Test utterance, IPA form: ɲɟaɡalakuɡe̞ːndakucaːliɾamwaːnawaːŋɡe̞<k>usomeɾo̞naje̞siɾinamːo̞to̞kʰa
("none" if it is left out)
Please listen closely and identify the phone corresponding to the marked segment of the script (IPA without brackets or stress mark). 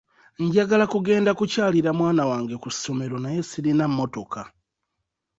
k